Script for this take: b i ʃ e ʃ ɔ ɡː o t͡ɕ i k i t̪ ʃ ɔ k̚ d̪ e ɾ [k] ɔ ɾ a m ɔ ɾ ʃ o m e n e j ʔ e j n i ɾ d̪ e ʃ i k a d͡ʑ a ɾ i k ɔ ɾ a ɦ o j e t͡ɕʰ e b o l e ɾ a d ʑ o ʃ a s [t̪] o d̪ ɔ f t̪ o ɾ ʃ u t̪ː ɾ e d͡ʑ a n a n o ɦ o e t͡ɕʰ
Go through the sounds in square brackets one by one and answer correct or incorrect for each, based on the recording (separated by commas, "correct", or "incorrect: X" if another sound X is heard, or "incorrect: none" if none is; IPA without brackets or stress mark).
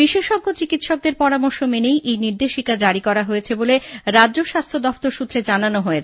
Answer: incorrect: p, incorrect: t̪ʰ